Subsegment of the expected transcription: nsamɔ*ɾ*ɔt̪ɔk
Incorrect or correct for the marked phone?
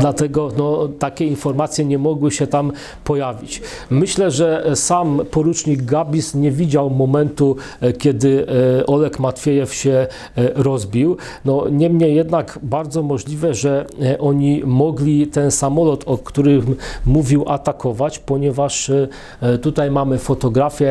incorrect: l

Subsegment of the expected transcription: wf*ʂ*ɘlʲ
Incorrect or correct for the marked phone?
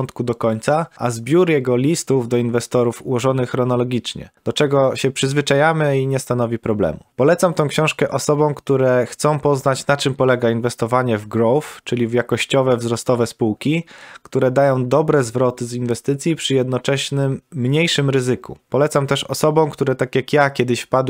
incorrect: t͡ʂ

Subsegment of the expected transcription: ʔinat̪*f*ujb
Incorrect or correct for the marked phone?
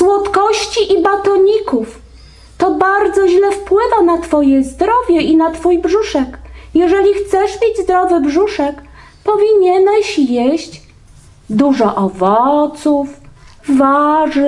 correct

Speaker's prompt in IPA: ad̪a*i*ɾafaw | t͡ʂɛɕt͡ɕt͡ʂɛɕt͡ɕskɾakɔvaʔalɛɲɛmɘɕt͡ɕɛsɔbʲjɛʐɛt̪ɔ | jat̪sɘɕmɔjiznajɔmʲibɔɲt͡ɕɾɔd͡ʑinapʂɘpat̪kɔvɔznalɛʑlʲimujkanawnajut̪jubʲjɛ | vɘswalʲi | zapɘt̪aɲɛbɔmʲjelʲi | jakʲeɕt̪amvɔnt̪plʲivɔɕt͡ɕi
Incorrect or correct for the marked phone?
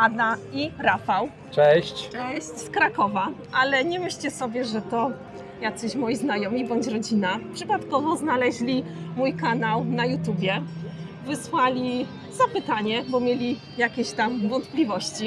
correct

